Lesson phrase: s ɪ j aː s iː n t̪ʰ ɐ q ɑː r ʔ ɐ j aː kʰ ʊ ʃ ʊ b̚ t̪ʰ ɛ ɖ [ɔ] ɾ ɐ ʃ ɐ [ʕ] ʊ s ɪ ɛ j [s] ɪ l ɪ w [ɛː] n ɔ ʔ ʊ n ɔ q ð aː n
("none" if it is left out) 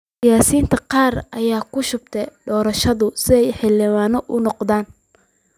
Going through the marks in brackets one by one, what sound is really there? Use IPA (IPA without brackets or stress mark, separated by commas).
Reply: ɔː, ð, ħ, aː